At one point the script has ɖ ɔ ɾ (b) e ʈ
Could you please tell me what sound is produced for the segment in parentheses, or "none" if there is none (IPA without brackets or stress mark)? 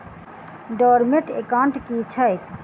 m